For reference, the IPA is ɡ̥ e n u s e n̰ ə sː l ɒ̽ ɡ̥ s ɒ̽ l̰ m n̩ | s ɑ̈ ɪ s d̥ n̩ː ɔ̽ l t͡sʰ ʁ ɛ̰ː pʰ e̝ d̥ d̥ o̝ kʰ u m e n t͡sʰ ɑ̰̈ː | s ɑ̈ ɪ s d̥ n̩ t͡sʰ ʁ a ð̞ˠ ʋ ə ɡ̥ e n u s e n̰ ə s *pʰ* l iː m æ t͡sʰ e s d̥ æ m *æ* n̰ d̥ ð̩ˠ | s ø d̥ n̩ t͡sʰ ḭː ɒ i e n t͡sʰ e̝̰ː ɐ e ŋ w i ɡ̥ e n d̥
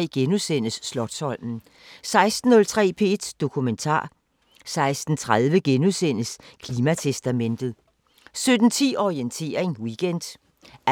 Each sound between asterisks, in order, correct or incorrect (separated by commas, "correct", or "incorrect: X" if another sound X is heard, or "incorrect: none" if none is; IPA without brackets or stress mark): incorrect: kʰ, incorrect: e